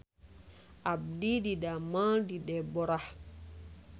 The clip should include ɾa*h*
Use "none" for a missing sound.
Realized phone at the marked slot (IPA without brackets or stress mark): h